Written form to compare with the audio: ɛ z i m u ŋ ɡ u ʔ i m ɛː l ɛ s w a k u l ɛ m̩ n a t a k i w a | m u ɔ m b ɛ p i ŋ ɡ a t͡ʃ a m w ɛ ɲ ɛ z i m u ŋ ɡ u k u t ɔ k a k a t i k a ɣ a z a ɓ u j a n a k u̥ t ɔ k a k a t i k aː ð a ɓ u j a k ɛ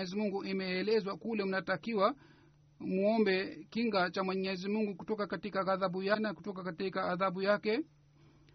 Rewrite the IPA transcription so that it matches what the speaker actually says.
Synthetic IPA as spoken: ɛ z i m u ŋ ɡ u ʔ i m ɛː l ɛ z w a k u l ɛ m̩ n a t a k i w a | m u ɔ m b ɛ k i ŋ ɡ a t͡ʃ a m w ɛ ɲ ɛ z i m u ŋ ɡ u k u t ɔ k a k a t i k a ɣ a ð a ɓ u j a n a k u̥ t ɔ k a k a t i k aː ð a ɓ u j a k ɛ